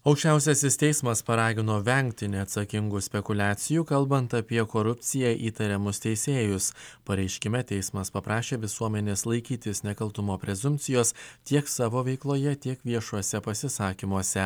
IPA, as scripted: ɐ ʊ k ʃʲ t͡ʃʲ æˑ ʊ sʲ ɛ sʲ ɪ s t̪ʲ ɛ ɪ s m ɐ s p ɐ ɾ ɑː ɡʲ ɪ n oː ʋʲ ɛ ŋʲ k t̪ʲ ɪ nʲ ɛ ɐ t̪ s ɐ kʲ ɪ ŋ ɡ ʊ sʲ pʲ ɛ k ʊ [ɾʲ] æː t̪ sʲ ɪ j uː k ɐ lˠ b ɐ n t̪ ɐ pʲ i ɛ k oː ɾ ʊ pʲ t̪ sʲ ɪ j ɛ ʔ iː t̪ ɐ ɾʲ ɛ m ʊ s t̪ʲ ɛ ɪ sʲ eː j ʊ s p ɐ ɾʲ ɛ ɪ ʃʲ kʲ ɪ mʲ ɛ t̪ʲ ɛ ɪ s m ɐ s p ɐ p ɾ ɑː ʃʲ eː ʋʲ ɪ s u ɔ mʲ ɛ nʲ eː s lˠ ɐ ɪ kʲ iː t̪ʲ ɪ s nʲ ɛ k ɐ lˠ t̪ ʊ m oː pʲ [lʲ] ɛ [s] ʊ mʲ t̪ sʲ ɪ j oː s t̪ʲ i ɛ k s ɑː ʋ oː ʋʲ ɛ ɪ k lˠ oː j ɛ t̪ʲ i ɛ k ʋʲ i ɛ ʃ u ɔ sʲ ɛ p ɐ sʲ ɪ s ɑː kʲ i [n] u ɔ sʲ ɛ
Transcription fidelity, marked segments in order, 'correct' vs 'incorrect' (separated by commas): incorrect, incorrect, incorrect, incorrect